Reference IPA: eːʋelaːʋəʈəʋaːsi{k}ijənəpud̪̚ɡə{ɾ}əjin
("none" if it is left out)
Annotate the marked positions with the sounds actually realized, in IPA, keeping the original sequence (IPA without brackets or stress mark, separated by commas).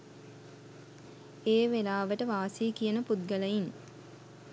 k, l